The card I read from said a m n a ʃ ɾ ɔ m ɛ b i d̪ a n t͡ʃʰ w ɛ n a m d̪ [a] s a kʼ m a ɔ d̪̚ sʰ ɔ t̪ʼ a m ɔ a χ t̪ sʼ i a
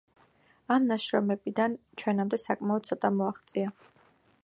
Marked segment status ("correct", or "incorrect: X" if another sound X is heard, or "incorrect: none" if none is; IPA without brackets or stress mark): incorrect: ɛ